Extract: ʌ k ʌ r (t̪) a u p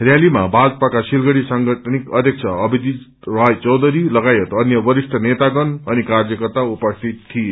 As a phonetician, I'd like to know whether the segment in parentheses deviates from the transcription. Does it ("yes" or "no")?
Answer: no